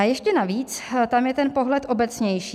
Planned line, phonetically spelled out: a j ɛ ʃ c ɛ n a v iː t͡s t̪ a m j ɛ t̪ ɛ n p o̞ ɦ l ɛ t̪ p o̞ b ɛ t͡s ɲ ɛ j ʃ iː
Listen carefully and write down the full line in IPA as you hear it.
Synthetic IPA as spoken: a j ɛ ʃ c ɛ n a v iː t͡s t̪ a m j ɛ t̪ ɛ n p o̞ ɦ l ɛ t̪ ʔ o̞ b ɛ t͡s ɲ ɛ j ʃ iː